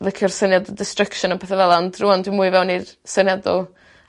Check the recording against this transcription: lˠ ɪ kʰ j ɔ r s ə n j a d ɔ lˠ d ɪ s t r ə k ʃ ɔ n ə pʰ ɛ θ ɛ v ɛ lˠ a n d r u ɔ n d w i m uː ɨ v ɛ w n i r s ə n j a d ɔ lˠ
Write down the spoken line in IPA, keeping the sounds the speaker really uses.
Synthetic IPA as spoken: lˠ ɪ kʰ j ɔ r s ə n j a d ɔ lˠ d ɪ s t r ə k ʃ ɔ n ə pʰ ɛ θ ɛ v ɛ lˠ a n d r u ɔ n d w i m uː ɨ v ɛ w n i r s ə n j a d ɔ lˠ